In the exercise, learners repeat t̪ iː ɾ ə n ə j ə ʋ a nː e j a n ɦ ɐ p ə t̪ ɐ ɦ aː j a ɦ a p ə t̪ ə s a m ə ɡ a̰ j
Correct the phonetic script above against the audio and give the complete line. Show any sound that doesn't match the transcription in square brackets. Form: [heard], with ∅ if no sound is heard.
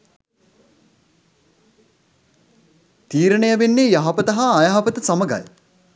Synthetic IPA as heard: t̪ iː ɾ ə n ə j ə ʋ [e] nː e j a [∅] ɦ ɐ p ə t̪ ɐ ɦ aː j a ɦ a p ə t̪ ə s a m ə ɡ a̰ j